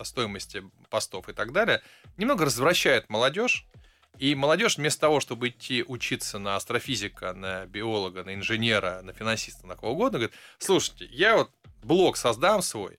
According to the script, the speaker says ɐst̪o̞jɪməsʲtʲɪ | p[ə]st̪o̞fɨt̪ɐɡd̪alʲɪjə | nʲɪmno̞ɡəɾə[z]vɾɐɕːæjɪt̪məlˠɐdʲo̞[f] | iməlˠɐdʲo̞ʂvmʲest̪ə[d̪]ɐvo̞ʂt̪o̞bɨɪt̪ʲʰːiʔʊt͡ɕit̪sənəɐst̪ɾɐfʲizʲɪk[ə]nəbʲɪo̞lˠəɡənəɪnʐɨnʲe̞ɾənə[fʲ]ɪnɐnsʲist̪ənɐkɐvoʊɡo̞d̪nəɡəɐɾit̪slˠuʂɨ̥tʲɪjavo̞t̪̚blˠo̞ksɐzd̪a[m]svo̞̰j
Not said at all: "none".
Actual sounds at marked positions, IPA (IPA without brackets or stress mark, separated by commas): ɐ, z, ʂ, t̪, ə, fʲ, m